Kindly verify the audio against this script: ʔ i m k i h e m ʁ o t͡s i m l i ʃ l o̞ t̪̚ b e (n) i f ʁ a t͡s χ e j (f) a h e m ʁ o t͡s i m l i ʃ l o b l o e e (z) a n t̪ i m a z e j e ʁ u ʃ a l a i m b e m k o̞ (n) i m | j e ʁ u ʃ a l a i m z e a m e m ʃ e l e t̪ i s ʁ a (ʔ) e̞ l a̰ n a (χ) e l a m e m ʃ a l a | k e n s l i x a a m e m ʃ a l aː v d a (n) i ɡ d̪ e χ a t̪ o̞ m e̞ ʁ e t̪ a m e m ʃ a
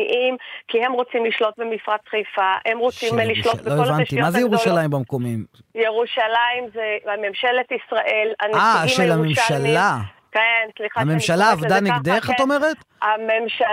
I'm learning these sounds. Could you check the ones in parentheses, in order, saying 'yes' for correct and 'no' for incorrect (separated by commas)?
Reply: no, yes, no, no, yes, no, yes